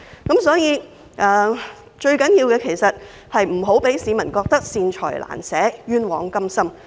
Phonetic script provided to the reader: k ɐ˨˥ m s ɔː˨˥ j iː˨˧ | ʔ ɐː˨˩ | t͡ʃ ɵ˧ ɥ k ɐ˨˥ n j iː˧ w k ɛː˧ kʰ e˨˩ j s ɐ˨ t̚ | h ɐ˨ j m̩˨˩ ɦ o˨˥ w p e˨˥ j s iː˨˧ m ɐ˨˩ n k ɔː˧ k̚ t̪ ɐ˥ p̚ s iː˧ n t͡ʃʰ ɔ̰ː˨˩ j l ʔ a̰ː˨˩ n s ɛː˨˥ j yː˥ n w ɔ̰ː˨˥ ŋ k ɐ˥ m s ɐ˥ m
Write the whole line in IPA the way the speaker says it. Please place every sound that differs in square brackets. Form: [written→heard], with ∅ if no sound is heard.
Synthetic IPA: k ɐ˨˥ m s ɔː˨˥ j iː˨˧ | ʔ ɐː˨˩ | t͡ʃ ɵ˧ ɥ k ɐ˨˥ n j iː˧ w k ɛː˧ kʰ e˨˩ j s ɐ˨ t̚ | h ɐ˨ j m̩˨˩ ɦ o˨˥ w p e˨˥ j s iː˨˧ m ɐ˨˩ n k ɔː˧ k̚ t̪ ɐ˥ [p̚→k̚] s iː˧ n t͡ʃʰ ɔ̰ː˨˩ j l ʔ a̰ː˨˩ n s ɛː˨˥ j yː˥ n w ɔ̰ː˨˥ ŋ k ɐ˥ m s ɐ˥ m

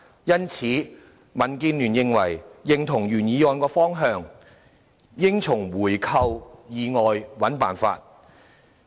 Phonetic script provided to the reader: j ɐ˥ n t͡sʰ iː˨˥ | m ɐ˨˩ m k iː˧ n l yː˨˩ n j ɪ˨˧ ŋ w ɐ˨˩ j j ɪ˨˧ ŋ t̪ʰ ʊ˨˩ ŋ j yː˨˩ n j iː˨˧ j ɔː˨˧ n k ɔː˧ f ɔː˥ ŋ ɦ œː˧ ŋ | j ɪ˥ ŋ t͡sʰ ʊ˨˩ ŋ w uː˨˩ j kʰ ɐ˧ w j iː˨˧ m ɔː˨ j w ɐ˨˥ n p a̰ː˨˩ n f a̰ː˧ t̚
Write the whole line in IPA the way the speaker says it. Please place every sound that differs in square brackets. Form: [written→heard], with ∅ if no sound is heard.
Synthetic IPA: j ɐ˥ n t͡sʰ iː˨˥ | m ɐ˨˩ [m→n] k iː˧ n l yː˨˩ n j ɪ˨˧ ŋ w ɐ˨˩ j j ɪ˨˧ ŋ t̪ʰ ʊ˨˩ ŋ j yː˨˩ n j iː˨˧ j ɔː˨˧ n k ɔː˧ f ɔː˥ ŋ ɦ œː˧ ŋ | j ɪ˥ ŋ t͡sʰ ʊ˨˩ ŋ w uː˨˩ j kʰ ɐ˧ w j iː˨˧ [m→ŋ] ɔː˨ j w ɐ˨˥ n p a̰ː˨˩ n f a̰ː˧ t̚

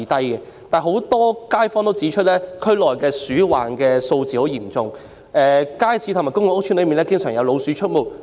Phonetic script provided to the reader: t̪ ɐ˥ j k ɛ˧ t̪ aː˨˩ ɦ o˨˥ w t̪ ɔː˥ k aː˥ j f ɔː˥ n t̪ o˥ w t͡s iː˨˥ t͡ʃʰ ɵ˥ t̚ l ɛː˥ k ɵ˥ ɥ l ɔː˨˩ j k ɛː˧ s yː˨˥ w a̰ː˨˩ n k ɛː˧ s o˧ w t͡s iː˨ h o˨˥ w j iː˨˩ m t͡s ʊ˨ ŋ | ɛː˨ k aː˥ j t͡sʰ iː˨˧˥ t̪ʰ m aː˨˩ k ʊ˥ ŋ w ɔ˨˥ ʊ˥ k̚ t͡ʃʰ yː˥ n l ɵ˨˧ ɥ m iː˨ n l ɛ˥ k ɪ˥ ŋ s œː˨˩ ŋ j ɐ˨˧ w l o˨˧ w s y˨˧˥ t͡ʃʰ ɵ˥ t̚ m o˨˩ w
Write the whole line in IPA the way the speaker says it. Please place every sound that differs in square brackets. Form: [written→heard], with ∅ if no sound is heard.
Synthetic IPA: t̪ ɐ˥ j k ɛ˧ t̪ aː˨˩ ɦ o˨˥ w t̪ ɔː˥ k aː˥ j f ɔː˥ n t̪ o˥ w t͡s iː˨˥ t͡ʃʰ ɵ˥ t̚ l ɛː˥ [k→kʰ] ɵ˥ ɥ l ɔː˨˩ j k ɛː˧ s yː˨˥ w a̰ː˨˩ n k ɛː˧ s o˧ w t͡s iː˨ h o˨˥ w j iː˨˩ m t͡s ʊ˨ ŋ | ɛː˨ k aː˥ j t͡sʰ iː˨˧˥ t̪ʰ m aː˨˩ k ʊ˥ ŋ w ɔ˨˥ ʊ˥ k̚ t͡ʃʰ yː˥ n l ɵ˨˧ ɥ m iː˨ n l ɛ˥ k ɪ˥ ŋ s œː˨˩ ŋ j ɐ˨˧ w l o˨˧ w s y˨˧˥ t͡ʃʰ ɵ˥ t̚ m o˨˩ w

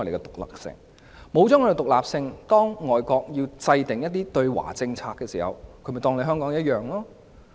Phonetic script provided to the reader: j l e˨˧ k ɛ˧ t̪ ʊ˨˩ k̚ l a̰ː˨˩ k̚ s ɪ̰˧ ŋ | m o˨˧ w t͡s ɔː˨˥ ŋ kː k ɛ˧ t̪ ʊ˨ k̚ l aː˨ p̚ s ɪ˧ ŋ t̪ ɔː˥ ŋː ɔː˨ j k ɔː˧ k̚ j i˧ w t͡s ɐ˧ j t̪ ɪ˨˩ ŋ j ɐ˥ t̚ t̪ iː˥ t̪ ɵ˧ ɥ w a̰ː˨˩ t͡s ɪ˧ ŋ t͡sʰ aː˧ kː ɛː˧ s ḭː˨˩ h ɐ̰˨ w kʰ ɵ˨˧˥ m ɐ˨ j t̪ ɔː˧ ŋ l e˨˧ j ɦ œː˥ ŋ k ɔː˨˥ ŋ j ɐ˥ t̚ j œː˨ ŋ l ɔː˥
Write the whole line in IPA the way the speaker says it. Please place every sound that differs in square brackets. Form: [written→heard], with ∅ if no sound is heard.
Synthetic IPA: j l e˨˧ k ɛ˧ t̪ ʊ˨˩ k̚ l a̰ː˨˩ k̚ s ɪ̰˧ ŋ | m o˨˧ w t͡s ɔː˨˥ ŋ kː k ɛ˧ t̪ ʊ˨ k̚ l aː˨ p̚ s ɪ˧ ŋ t̪ ɔː˥ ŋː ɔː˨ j k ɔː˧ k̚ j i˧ w t͡s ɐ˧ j t̪ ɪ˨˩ ŋ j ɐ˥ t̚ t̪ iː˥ t̪ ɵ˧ ɥ w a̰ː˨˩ t͡s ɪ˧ ŋ t͡sʰ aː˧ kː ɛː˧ s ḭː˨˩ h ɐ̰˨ w kʰ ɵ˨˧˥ m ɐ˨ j t̪ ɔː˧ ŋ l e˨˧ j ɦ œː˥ ŋ k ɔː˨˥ ŋ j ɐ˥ t̚ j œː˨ ŋ l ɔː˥

